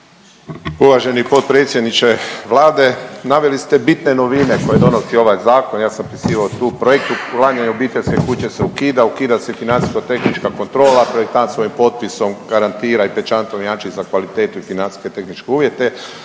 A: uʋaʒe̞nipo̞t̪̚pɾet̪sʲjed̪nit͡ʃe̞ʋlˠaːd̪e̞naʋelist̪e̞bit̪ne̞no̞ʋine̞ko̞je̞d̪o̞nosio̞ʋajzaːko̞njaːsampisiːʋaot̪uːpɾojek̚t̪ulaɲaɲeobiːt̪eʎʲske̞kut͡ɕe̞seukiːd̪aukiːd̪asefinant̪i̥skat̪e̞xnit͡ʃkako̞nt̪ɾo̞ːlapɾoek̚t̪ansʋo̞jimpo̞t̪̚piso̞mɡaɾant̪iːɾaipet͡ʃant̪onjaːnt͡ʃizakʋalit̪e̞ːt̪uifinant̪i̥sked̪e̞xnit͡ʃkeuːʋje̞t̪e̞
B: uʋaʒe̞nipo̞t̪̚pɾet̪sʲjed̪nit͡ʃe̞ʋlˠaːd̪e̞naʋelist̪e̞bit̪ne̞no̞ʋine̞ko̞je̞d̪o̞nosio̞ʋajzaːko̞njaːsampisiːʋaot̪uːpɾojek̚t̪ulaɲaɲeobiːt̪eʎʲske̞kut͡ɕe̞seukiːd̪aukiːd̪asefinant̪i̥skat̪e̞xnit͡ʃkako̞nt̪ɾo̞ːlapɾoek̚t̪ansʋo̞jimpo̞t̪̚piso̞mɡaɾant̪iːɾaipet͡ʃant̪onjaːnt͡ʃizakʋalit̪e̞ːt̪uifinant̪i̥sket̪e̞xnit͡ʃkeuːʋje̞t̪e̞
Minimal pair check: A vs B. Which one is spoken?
B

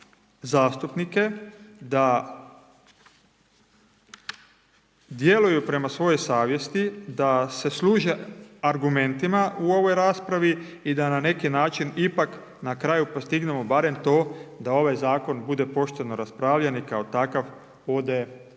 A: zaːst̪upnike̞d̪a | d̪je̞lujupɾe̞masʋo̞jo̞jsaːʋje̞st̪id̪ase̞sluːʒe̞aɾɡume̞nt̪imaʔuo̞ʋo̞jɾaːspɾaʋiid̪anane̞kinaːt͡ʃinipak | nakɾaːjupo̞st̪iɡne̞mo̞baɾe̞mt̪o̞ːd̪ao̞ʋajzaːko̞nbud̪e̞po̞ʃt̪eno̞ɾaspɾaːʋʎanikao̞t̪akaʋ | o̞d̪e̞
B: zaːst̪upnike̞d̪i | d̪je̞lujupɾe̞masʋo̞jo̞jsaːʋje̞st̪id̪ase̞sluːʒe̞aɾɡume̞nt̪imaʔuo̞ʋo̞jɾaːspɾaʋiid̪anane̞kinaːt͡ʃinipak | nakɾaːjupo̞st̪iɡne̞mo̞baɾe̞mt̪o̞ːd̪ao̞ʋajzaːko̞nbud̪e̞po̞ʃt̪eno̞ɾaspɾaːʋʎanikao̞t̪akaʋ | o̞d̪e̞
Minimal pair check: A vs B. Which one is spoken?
A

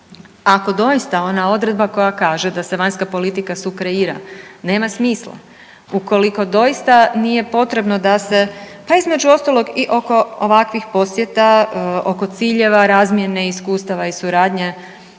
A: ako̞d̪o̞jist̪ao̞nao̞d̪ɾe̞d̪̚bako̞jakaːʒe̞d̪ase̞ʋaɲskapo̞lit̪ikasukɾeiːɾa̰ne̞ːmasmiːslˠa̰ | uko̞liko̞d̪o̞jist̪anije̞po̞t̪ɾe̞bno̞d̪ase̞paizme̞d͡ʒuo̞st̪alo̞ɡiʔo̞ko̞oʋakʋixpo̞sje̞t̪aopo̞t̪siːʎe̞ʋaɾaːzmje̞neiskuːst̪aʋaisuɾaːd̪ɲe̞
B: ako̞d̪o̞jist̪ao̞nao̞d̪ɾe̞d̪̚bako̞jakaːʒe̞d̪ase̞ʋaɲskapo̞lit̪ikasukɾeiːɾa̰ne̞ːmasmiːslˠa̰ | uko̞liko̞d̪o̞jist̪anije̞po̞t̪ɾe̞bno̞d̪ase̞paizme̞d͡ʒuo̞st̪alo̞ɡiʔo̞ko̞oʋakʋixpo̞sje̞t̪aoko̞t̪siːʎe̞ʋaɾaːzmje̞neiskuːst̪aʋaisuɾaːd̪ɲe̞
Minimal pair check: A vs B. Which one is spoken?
B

